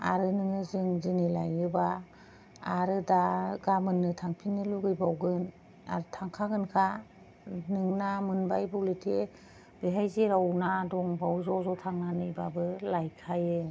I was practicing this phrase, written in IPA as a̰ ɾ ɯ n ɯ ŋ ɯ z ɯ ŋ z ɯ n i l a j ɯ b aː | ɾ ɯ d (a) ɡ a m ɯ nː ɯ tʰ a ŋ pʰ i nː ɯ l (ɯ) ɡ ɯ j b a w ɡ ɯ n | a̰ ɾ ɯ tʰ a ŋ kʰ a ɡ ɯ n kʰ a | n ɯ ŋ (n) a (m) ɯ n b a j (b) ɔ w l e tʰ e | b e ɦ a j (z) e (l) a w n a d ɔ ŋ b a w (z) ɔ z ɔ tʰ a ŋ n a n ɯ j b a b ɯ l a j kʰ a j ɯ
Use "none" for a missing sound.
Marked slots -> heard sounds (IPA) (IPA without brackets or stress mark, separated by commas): a, u, n, m, b, z, ɾ, z